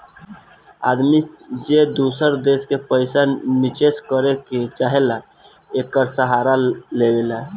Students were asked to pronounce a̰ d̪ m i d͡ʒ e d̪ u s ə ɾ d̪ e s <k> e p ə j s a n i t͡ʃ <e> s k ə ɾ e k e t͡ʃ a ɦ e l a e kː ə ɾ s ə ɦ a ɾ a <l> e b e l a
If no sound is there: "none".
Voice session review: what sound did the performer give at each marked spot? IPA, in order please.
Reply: k, e, l

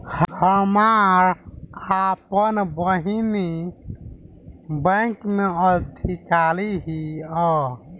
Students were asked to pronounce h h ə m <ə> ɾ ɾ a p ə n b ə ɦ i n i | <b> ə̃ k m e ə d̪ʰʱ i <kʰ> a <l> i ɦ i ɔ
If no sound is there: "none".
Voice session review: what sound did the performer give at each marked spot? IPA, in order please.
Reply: a, b, k, l

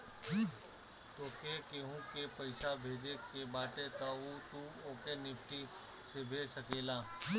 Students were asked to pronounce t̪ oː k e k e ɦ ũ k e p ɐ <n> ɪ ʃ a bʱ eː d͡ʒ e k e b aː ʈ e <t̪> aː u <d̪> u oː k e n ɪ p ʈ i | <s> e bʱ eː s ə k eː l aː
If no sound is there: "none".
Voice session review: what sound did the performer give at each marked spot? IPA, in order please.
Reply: none, t̪, t̪, s

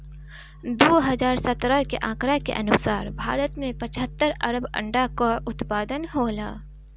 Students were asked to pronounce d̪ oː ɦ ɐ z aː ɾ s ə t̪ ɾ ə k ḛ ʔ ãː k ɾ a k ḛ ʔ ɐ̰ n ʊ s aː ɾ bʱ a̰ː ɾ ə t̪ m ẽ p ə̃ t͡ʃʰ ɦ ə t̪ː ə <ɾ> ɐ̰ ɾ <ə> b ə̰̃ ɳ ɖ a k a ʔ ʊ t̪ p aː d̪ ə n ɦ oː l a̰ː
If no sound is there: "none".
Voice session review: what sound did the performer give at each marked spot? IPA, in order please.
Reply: ɾ, ə

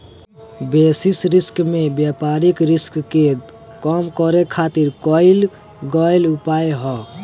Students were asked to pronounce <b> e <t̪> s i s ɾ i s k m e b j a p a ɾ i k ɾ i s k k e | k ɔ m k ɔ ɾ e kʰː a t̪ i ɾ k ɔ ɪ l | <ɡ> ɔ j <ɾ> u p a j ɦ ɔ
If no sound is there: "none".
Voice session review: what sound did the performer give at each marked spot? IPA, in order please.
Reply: b, none, ɡ, l

